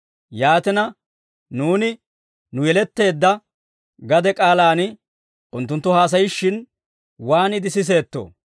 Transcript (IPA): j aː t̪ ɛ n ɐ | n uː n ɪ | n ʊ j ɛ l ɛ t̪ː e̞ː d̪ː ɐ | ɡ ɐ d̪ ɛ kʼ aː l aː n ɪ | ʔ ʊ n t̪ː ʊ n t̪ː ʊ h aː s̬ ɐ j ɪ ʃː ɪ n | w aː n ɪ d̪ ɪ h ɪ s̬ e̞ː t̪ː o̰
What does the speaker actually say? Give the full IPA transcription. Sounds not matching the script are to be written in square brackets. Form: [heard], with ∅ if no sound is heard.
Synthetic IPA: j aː t̪ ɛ n ɐ | n uː n ɪ | n ʊ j ɛ l ɛ t̪ː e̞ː d̪ː ɐ | ɡ ɐ d̪ ɛ kʼ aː l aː n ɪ | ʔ ʊ n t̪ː ʊ n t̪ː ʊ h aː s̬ ɐ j ɪ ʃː ɪ n | w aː n ɪ d̪ ɪ [s] ɪ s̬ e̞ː t̪ː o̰